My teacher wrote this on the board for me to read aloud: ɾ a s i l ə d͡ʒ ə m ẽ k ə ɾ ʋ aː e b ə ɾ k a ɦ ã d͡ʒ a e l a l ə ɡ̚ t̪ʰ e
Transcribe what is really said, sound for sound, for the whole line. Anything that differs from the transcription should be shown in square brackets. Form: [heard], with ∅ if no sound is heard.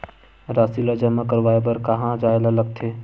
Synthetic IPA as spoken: ɾ a s i l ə d͡ʒ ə m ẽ k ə ɾ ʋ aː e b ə ɾ k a ɦ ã d͡ʒ a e l a l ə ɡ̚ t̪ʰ e